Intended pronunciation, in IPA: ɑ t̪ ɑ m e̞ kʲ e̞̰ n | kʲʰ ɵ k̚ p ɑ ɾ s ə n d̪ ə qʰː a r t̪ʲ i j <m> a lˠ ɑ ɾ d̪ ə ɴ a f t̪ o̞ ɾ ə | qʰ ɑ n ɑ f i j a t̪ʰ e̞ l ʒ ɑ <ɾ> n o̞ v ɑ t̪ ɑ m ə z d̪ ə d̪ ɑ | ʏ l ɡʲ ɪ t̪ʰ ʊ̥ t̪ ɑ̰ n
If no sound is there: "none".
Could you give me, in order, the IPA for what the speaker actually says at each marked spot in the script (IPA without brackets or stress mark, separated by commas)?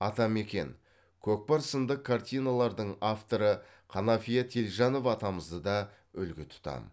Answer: n, none